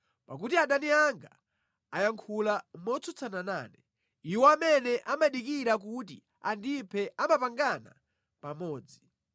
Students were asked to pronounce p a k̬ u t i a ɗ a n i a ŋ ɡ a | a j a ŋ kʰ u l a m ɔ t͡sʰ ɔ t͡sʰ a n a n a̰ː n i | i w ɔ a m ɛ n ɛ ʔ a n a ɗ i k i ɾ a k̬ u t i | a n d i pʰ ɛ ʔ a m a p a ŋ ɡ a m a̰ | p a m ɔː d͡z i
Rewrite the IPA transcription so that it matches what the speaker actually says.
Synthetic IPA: p a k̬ u t i a ɗ a n i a ŋ ɡ a | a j a ŋ kʰ u l a m ɔ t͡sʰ ɔ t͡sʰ a n a n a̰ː n ɛ | i w ɔ a m ɛ n ɛ ʔ a m a ɗ i k i ɾ a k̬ u t i | a n d i pʰ ɛ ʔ a m a p a ŋ ɡ a n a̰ | p a m ɔː d͡z i